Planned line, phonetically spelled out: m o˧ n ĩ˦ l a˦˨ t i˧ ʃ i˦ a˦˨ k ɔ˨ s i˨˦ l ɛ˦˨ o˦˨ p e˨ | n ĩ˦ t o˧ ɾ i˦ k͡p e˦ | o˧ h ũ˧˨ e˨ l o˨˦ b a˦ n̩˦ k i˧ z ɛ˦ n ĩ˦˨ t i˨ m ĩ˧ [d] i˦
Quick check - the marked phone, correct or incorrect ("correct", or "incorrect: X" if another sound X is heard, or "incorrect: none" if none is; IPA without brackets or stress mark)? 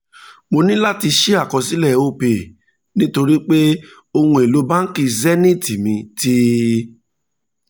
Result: incorrect: t